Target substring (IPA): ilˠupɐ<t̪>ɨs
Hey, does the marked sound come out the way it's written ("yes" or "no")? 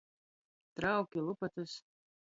yes